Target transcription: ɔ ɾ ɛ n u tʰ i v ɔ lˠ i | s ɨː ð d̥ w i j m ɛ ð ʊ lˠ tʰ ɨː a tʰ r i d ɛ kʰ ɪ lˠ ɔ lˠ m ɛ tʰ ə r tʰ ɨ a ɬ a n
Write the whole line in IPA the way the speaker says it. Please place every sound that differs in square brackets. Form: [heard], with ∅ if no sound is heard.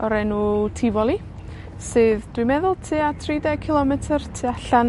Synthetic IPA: ɔ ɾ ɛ n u tʰ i v ɔ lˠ i | s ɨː ð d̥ w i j m ɛ ð ʊ lˠ tʰ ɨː a tʰ r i d ɛ kʰ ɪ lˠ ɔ [∅] m ɛ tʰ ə r tʰ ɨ a ɬ a n